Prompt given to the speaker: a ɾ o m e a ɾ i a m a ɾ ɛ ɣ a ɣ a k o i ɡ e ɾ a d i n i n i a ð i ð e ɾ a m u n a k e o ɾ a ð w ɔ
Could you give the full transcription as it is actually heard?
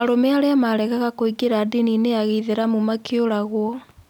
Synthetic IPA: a ɾ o m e a ɾ e a m a ɾ ɛ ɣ a ɣ a k o i ɡ e ɾ a d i n i n e a ɣ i ð e ɾ a m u m a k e o ɾ a ɣ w ɔ